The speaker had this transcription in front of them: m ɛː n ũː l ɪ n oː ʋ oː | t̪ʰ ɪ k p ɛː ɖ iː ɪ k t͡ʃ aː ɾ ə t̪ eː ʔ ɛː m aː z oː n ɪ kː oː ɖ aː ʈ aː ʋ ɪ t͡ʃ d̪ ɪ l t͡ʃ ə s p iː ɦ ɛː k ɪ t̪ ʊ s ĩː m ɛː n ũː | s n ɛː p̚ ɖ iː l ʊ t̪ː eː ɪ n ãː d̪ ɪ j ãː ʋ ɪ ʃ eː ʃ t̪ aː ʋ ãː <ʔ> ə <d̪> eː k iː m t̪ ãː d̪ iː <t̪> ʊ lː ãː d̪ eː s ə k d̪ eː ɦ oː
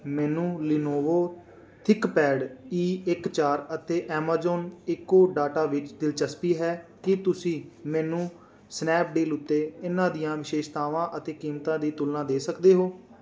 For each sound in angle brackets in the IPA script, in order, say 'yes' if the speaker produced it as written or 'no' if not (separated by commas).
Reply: yes, no, yes